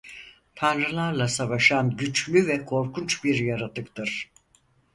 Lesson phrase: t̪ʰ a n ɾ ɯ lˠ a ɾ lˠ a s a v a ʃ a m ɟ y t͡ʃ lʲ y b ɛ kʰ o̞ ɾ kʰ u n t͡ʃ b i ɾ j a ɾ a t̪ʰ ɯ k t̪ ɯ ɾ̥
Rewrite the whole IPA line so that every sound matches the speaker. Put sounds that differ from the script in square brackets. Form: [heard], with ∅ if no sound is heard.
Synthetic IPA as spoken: t̪ʰ a n ɾ ɯ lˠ a ɾ lˠ a s a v a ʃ a [n] ɟ y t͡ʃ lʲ y [v] ɛ kʰ o̞ ɾ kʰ u n t͡ʃ b i ɾ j a ɾ a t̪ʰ ɯ k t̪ ɯ ɾ̥